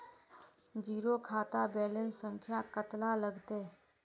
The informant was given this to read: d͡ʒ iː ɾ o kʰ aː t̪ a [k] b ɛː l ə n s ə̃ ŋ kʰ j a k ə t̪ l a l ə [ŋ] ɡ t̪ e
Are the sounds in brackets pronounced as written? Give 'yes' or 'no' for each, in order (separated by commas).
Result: no, no